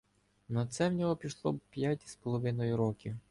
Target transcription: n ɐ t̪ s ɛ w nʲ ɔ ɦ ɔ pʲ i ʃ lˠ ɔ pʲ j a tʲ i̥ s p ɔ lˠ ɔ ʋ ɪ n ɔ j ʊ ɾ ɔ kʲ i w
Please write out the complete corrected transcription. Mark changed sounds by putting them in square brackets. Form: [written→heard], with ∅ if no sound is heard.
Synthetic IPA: n ɐ t̪ s ɛ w nʲ ɔ ɦ ɔ pʲ i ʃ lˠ ɔ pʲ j a tʲ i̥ s p ɔ lˠ ɔ ʋ ɪ n ɔ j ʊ ɾ ɔ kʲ i w